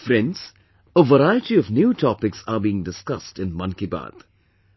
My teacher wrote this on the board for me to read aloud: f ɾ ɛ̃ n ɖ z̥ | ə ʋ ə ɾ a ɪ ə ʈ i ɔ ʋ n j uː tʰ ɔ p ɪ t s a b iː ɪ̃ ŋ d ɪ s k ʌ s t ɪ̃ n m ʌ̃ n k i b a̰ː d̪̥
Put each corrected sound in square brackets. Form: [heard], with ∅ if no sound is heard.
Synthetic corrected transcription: f ɾ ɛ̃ n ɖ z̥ | ə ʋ ə ɾ a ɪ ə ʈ i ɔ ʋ n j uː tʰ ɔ p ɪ [k] s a b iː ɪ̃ ŋ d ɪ s k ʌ s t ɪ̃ n m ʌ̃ n k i b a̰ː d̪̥